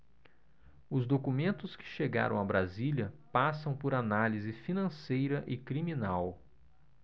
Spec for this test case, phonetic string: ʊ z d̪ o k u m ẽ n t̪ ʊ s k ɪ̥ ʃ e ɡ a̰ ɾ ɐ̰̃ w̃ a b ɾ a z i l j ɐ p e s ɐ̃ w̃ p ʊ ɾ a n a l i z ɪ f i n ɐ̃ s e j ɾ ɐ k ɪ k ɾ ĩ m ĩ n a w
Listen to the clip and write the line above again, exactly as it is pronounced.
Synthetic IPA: ʊ z d̪ o k u m ẽ n t̪ ʊ s k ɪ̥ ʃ e ɡ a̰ ɾ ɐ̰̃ w̃ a b ɾ a z i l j ɐ p a s ɐ̃ w̃ p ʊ ɾ a n a l i z ɪ f i n ɐ̃ s e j ɾ ɐ ʔ ɪ k ɾ i m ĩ n a w